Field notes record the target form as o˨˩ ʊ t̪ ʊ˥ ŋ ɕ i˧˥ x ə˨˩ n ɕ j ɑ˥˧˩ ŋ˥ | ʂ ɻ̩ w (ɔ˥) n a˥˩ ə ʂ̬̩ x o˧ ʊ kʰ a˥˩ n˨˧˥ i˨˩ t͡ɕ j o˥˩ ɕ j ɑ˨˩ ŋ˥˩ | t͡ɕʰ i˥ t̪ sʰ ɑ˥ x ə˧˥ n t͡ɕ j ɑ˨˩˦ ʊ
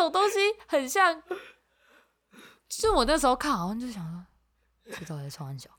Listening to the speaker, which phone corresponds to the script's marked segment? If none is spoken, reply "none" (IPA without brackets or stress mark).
ɔ˨˩